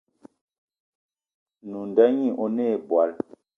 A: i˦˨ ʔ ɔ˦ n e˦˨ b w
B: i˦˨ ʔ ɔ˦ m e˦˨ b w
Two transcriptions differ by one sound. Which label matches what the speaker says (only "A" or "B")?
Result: A